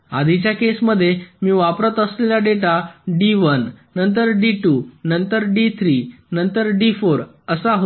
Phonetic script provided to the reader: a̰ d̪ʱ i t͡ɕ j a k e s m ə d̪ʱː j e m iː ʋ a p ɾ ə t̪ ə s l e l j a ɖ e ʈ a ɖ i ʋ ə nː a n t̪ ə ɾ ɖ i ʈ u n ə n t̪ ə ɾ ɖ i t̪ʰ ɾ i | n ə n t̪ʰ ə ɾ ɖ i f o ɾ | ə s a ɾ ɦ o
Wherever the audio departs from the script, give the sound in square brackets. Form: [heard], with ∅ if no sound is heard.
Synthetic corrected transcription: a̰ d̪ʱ i t͡ɕ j a k e s m ə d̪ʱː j e m iː ʋ a p ɾ ə t̪ ə s l e l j a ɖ e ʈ a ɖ i ʋ ə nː [ə] n t̪ ə ɾ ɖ i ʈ u n ə n t̪ ə ɾ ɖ i t̪ʰ ɾ i | n ə n [t̪] ə ɾ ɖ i f o ɾ | ə s a [∅] ɦ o